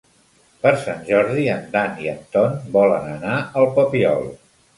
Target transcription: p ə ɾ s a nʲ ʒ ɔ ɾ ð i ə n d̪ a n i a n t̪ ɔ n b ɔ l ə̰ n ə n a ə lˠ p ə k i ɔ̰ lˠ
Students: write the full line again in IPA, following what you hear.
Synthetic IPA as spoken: p ə ɾ s a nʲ ʒ ɔ ɾ ð i ə n d̪ a n i ə n t̪ ɔ n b ɔ l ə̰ n ə n a ə lˠ p ə p i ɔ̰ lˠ